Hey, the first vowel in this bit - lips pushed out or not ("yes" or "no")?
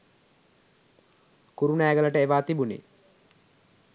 yes